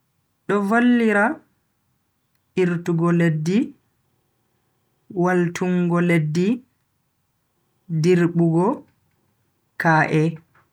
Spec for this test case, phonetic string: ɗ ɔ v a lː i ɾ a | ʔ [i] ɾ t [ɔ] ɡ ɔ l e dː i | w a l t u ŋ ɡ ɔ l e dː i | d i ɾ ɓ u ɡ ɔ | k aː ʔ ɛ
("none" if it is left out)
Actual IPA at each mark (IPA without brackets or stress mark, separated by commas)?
i, u